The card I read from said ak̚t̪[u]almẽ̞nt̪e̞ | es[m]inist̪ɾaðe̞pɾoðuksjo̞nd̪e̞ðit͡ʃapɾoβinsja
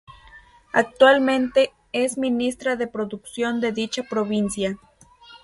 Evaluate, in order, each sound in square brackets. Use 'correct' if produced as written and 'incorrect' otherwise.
incorrect: w, correct

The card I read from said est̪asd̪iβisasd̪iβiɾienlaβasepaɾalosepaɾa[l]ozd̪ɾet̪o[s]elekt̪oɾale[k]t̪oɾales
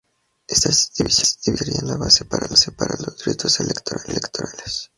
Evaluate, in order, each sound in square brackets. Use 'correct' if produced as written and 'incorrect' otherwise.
correct, correct, correct

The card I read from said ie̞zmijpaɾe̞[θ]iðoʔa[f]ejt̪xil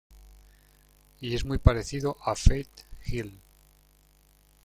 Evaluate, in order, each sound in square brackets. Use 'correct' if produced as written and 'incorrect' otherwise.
correct, correct

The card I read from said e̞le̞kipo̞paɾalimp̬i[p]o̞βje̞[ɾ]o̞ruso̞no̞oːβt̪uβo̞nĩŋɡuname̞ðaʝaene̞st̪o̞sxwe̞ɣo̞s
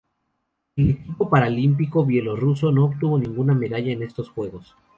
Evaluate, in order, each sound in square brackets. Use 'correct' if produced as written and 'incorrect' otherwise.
incorrect: k, incorrect: l

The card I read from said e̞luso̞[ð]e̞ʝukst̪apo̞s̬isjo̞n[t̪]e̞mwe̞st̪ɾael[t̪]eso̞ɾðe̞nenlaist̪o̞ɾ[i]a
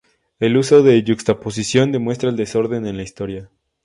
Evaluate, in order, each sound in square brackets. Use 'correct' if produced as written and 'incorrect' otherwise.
correct, incorrect: d̪, incorrect: d̪, incorrect: j

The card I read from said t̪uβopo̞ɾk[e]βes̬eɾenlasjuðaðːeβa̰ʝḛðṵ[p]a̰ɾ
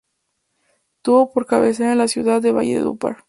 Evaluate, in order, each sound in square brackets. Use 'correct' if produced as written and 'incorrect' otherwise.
incorrect: a, correct

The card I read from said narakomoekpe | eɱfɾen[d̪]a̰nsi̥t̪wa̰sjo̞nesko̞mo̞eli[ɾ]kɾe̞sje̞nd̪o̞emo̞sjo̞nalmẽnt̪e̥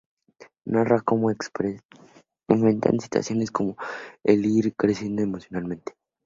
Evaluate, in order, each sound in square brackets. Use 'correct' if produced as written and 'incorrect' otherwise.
incorrect: t̪, correct

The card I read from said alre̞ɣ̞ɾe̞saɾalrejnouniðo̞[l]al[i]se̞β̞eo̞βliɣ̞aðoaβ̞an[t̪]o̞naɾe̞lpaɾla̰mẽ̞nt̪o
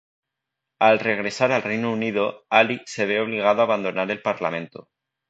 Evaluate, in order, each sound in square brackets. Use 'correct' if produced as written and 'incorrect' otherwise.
incorrect: none, correct, incorrect: d̪

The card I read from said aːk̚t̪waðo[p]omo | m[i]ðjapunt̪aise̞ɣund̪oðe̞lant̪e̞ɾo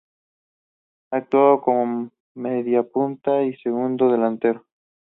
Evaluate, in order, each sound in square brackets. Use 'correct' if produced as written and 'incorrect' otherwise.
incorrect: k, incorrect: e

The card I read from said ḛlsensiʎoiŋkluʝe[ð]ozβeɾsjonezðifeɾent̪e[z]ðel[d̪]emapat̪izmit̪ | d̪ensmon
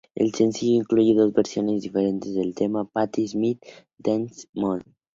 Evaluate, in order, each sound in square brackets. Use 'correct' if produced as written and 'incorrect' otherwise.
correct, correct, incorrect: t̪

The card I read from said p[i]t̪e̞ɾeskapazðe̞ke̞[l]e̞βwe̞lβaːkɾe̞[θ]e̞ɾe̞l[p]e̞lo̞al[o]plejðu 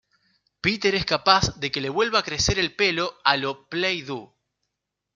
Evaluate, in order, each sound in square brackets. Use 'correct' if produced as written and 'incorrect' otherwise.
correct, correct, incorrect: s, correct, correct

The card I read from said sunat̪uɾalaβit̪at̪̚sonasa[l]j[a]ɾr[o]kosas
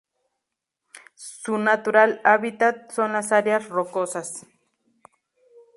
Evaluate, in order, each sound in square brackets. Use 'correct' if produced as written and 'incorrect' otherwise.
incorrect: ɾ, correct, correct

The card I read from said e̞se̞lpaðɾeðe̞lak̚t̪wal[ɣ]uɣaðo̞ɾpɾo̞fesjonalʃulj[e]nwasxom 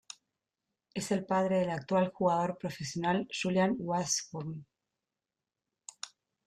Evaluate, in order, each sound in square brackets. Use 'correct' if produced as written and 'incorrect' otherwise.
incorrect: x, incorrect: a

